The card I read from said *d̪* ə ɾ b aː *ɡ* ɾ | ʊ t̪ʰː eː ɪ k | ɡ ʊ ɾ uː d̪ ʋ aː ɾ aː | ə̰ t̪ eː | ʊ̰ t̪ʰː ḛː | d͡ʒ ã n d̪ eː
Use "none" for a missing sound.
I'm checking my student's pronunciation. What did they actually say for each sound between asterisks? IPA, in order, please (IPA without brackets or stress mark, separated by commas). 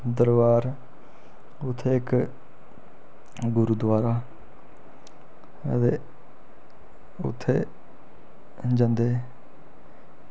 d̪, none